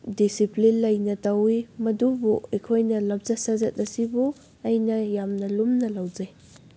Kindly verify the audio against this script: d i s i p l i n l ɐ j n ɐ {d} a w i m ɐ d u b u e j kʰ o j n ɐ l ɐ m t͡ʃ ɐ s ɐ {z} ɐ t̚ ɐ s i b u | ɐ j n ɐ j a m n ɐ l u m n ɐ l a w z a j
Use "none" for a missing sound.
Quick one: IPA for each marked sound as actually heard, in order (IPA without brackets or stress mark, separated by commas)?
t, z